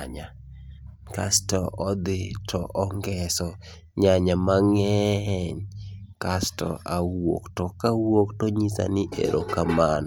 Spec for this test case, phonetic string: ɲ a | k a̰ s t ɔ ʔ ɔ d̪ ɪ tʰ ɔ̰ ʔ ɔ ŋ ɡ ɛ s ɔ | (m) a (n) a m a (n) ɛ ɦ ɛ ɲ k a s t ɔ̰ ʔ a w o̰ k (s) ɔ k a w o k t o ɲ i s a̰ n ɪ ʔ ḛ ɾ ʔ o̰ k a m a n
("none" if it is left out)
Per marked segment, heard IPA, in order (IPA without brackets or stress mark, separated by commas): ɲ, ɲ, ŋ, t